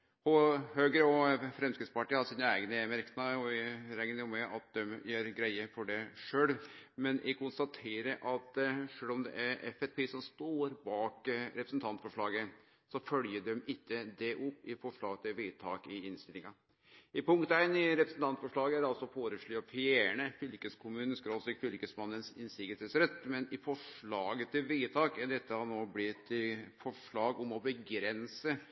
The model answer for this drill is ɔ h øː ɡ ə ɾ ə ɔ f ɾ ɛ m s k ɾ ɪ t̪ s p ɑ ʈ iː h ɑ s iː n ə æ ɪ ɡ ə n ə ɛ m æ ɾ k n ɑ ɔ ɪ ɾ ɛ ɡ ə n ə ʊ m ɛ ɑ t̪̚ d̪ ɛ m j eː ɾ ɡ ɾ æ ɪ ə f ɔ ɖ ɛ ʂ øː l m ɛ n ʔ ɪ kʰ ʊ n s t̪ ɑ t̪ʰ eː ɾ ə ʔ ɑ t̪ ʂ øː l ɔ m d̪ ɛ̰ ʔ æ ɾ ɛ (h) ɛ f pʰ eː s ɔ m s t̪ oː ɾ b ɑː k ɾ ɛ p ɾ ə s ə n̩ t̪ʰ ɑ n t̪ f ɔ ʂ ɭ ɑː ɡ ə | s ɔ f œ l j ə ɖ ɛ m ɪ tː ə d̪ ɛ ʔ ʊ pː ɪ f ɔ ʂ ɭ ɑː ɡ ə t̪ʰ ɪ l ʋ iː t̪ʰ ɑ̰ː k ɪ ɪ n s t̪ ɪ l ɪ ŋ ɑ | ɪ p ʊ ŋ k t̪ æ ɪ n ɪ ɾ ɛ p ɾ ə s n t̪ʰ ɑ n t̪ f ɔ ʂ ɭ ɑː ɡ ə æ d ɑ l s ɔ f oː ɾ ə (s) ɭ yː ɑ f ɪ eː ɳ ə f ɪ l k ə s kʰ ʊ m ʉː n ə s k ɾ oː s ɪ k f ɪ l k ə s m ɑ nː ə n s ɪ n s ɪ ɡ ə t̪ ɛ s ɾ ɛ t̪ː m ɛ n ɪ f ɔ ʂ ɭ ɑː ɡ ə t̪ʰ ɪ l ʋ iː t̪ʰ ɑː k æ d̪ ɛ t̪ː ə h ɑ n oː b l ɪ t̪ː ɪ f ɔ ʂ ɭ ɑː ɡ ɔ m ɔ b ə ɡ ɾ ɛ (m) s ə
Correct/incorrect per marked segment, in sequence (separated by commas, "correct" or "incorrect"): incorrect, incorrect, incorrect